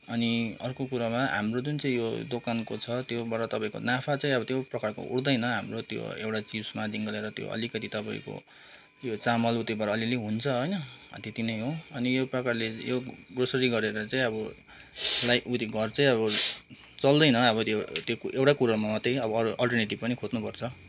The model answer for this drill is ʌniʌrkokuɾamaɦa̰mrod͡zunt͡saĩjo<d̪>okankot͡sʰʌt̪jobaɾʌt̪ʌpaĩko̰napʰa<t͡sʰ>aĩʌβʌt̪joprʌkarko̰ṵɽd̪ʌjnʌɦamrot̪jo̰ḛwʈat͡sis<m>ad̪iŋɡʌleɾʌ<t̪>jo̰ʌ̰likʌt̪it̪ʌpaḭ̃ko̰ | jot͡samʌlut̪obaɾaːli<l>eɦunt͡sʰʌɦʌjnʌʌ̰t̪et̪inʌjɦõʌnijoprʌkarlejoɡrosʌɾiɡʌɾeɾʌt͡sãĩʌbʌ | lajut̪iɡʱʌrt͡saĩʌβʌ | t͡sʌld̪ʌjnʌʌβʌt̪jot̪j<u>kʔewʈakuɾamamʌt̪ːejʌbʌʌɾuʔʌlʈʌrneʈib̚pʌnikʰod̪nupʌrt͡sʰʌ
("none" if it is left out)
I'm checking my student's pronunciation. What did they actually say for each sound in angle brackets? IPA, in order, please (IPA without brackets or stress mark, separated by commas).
d̪, t͡s, m, t̪, l, o